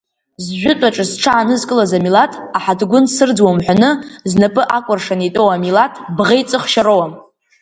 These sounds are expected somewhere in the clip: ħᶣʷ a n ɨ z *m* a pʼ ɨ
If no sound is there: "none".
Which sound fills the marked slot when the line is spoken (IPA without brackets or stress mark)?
n